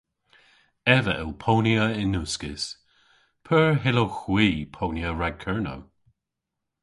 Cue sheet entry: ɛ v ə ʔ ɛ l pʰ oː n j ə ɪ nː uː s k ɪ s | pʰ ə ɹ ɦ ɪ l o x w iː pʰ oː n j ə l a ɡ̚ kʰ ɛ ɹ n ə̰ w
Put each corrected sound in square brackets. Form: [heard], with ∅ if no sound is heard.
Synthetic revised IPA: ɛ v ə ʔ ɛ l pʰ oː n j ə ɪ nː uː s k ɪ s | pʰ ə ɹ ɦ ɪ l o x w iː pʰ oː n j ə [ɹ] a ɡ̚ kʰ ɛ ɹ n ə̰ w